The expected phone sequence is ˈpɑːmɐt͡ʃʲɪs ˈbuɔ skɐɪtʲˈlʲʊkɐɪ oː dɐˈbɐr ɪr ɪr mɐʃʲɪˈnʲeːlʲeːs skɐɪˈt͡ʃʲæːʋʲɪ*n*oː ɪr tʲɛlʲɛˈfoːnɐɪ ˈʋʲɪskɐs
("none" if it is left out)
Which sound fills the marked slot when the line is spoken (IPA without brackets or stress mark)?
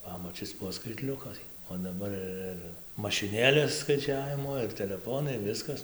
m